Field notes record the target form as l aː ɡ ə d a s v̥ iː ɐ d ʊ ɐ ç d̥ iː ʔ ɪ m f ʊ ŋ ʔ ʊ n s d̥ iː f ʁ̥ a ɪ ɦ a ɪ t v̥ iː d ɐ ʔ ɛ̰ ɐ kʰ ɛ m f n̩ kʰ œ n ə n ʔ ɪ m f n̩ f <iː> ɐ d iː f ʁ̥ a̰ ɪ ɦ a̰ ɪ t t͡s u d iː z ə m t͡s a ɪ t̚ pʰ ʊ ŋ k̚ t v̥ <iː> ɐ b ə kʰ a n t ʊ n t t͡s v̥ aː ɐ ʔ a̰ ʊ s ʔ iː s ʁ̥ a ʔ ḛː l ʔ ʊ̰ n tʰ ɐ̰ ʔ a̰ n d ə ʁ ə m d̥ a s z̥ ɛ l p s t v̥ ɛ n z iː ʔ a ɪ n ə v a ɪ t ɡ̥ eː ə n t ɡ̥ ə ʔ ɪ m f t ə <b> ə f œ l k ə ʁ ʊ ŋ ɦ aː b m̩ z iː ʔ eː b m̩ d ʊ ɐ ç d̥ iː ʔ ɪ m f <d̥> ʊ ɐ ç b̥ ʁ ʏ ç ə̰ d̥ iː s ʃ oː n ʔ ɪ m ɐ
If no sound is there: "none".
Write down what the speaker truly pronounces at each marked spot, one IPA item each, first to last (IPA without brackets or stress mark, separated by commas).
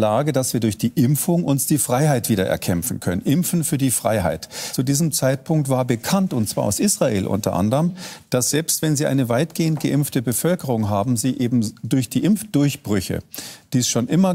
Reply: yː, aː, b, d̥